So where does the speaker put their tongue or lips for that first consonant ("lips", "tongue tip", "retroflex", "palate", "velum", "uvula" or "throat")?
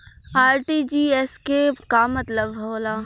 tongue tip